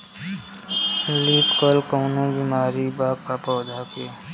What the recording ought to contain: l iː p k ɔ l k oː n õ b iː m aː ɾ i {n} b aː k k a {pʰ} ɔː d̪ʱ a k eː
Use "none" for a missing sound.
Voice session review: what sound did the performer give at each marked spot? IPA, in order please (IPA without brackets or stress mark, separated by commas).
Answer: none, p